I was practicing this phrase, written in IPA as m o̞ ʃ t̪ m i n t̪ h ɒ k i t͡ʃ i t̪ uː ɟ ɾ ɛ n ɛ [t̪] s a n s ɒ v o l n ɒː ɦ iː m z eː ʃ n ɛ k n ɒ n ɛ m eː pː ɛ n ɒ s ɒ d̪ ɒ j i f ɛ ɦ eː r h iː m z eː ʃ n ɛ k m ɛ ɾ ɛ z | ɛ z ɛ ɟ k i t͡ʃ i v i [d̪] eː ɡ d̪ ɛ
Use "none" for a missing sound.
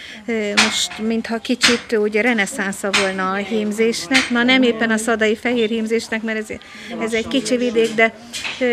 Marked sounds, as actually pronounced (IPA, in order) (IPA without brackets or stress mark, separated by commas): none, d̪